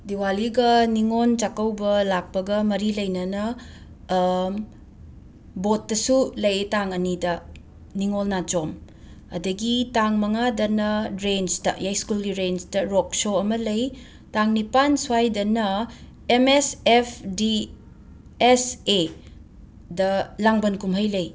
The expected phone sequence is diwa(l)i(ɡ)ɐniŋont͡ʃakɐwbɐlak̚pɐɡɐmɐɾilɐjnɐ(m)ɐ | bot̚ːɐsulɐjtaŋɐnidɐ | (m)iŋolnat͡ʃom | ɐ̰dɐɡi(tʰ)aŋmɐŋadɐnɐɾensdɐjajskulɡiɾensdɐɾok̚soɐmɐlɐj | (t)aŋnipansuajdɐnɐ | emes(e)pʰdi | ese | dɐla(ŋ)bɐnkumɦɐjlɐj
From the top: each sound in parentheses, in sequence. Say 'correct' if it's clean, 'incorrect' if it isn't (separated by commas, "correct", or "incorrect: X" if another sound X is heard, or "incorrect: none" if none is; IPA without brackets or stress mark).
correct, correct, incorrect: n, incorrect: n, incorrect: t, correct, correct, correct